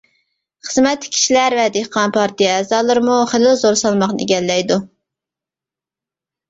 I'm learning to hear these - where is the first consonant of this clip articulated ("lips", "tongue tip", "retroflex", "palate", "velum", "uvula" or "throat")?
uvula